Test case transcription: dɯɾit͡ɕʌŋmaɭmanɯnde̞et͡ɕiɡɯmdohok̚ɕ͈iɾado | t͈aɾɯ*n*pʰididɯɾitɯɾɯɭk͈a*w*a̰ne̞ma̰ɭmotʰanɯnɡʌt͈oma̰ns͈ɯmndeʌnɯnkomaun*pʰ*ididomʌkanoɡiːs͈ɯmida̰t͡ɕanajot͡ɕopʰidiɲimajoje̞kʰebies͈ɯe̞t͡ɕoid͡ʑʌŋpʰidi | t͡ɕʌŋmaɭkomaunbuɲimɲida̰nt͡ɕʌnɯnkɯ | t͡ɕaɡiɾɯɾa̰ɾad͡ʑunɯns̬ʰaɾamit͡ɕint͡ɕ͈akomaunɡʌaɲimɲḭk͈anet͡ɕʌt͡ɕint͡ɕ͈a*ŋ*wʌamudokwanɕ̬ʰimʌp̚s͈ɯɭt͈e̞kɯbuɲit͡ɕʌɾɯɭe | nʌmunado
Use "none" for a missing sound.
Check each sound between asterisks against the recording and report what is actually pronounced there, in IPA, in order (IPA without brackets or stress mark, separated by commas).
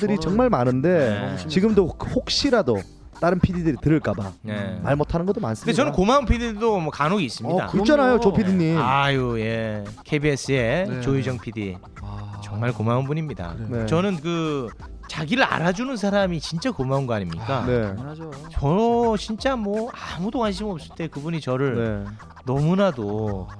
n, b, pʰ, m